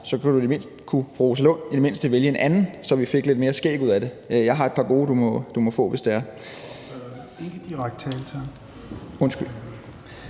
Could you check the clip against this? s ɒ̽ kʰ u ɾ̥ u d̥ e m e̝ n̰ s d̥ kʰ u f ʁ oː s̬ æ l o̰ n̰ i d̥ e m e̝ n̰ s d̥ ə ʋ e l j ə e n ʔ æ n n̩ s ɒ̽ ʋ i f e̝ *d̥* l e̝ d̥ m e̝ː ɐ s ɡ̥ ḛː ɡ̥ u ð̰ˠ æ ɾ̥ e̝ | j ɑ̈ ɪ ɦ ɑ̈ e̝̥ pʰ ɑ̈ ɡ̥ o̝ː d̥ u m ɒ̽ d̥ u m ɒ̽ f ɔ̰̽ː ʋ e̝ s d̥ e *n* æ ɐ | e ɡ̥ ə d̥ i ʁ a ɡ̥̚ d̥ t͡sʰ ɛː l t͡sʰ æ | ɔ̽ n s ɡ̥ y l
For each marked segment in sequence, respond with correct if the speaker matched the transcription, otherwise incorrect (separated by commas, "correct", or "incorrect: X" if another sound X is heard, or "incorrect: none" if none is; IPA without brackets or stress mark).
incorrect: ɡ̥, incorrect: none